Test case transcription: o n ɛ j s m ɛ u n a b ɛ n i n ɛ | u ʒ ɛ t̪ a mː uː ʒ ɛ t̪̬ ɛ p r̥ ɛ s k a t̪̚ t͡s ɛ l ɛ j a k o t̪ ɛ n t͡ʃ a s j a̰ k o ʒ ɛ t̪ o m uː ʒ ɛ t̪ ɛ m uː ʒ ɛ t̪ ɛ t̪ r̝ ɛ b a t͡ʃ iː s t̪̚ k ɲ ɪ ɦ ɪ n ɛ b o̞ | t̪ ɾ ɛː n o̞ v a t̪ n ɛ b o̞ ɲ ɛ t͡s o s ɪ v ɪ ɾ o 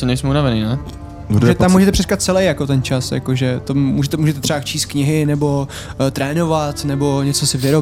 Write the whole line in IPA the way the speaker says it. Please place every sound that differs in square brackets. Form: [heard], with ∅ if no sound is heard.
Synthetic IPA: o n ɛ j s m ɛ u n a [v] ɛ n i n ɛ | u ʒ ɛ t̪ a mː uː ʒ ɛ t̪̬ ɛ p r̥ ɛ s k a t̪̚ t͡s ɛ l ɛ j a k o t̪ ɛ n t͡ʃ a s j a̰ k o ʒ ɛ t̪ o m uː ʒ ɛ t̪ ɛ m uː ʒ ɛ t̪ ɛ t̪ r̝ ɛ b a t͡ʃ iː s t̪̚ k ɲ ɪ ɦ ɪ n ɛ b o̞ | t̪ ɾ ɛː n o̞ v a t̪ n ɛ b o̞ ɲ ɛ t͡s o s ɪ v ɪ ɾ o